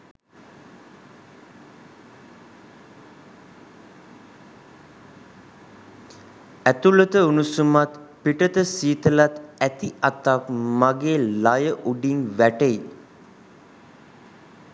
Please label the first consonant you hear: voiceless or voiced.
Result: voiceless